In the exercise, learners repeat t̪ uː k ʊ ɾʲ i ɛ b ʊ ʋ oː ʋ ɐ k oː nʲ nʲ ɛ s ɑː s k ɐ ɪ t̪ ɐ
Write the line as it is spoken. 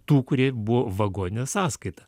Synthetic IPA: t̪ uː k ʊ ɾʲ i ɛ b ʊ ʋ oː ʋ ɐ ɡ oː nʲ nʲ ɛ s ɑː s k ɐ ɪ t̪ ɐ